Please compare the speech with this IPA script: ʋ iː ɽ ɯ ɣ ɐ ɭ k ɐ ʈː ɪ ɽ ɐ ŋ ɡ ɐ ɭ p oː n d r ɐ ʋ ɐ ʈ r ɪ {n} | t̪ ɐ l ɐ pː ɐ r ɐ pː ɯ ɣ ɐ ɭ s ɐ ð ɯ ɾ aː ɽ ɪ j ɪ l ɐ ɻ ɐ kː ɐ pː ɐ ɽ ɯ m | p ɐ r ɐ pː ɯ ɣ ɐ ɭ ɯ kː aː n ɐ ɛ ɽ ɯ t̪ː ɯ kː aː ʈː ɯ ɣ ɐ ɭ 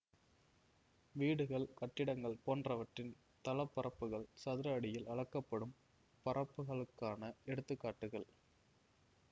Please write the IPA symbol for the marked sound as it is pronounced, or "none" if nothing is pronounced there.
n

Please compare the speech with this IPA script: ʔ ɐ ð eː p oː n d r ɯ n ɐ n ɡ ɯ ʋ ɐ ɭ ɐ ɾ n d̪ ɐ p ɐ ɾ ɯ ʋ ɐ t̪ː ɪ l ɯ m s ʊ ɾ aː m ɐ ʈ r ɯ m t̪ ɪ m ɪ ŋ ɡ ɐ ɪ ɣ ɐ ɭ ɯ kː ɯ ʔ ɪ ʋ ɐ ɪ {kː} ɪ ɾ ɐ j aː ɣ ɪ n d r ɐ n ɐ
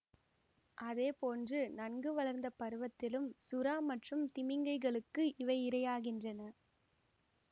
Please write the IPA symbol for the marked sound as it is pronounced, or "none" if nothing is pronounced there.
none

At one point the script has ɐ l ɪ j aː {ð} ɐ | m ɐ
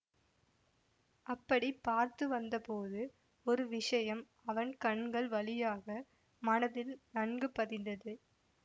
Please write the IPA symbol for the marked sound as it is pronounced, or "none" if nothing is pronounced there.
ɣ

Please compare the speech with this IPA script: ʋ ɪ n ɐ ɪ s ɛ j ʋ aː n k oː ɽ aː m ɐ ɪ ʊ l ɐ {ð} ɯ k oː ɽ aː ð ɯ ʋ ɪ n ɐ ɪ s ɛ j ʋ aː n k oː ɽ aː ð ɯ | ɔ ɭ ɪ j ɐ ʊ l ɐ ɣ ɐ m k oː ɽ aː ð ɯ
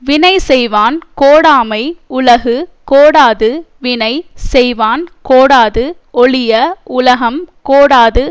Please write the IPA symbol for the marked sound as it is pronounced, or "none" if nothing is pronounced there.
ɣ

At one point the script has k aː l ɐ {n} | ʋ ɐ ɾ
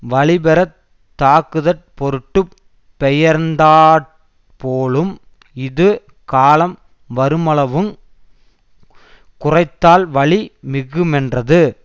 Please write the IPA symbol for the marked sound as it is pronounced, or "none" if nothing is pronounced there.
m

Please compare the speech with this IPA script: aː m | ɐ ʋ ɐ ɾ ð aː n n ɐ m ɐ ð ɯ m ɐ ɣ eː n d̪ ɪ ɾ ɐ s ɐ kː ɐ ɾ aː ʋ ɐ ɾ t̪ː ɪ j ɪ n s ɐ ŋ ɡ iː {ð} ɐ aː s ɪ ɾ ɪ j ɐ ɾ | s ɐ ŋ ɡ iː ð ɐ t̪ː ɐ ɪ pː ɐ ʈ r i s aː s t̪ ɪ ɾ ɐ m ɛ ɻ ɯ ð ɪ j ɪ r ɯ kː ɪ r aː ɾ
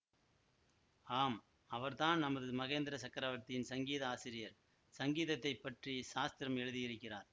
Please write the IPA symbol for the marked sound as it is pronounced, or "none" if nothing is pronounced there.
ð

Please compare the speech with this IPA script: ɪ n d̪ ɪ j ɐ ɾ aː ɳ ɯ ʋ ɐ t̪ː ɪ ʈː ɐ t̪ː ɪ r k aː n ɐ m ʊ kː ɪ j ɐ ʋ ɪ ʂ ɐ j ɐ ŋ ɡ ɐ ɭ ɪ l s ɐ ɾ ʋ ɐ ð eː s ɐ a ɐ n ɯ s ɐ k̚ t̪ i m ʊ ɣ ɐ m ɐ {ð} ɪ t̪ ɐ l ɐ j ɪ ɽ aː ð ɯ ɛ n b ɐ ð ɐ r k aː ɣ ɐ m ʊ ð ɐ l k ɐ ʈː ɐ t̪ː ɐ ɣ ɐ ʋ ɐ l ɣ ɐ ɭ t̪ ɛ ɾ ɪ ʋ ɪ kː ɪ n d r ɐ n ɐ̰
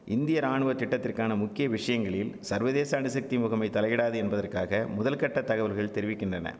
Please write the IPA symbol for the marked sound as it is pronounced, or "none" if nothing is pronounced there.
none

